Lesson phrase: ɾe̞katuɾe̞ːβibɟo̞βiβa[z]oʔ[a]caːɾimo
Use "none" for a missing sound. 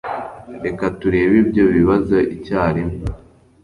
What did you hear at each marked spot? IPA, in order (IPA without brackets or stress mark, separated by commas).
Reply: z, i